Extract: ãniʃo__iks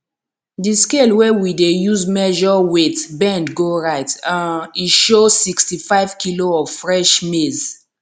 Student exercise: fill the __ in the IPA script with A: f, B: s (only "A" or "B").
B